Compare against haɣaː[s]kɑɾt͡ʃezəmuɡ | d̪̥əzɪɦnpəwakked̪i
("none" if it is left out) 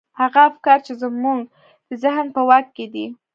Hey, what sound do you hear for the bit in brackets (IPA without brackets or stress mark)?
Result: f